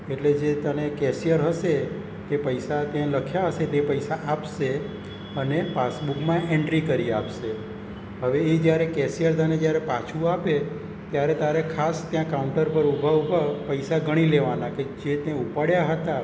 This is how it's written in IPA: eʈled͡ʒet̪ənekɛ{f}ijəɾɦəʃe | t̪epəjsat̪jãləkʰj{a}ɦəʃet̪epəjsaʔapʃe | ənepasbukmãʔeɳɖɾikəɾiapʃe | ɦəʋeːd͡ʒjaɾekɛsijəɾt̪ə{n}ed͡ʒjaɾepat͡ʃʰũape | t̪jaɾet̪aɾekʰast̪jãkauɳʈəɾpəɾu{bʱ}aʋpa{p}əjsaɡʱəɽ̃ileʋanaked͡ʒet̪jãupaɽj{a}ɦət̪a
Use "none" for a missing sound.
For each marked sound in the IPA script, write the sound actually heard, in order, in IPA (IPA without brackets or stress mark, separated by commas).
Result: s, a, n, bʱ, p, a